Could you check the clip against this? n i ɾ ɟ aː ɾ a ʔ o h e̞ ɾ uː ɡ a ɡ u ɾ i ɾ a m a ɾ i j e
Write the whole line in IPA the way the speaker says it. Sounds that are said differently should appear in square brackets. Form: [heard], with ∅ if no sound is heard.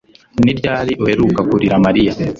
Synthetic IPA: n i ɾ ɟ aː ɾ [i] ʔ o h e̞ ɾ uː [k] a [k] u ɾ i ɾ a m a ɾ i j [a]